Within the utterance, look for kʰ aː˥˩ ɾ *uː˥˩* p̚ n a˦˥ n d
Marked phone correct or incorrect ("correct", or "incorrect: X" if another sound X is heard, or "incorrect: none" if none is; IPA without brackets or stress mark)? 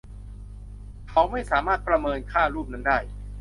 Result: correct